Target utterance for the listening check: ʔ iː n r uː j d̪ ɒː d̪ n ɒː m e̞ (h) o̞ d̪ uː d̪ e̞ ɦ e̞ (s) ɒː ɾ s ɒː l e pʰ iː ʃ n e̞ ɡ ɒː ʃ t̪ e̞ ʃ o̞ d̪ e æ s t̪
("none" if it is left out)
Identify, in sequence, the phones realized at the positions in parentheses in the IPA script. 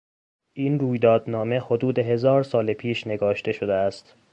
h, z

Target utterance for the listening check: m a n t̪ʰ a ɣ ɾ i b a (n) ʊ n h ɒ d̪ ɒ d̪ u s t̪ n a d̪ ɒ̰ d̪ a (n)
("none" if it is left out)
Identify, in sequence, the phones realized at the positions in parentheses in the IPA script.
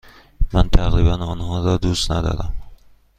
n, m

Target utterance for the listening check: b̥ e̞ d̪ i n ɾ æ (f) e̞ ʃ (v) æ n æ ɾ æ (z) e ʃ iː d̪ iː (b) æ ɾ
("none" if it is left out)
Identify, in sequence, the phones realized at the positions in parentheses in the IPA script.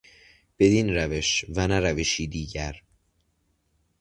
v, v, v, ɟ

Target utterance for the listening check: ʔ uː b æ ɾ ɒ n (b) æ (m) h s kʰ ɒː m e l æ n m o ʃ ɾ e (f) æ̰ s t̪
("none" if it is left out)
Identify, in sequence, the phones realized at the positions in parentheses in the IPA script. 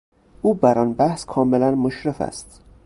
b, none, f

